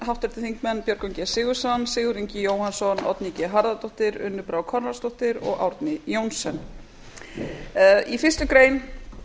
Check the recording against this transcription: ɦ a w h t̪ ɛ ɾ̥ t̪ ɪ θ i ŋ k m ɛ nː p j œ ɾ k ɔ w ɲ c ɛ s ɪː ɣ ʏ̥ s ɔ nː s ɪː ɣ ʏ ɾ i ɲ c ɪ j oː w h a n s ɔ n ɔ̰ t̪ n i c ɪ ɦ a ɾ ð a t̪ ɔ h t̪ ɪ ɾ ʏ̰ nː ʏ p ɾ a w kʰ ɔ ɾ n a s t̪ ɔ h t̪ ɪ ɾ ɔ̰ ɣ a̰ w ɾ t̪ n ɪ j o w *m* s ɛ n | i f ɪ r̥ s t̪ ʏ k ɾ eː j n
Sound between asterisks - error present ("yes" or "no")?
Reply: yes